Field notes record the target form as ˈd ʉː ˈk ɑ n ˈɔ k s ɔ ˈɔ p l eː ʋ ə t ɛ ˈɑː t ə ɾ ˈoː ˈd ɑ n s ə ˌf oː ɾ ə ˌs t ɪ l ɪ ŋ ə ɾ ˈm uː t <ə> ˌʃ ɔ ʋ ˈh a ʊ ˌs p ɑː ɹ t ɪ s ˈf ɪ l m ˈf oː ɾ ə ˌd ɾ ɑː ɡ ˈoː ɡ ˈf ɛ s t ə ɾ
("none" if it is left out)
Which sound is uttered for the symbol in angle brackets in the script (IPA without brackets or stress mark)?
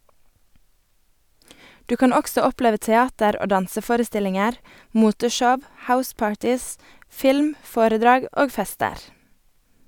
ə